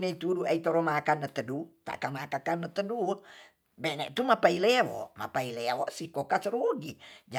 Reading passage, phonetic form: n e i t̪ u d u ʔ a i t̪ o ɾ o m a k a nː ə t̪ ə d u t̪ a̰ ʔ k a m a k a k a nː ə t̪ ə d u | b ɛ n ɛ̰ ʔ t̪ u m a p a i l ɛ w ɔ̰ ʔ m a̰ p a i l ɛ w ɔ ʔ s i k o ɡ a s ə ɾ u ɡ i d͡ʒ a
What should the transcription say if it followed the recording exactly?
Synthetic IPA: n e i t̪ u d u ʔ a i t̪ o ɾ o m a k a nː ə t̪ ə d u t̪ a̰ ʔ k a m a k a k a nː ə t̪ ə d u | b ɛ n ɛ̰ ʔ t̪ u m a p a i l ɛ w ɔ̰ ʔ m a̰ p a i l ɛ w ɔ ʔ s i k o k a s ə ɾ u ɡ i d͡ʒ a